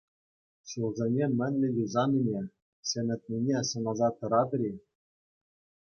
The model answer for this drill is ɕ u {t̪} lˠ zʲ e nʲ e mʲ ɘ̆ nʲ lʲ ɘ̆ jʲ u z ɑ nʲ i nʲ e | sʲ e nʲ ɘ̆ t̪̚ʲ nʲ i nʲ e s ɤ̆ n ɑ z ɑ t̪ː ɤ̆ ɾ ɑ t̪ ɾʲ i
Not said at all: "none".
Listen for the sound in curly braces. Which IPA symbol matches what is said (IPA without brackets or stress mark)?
none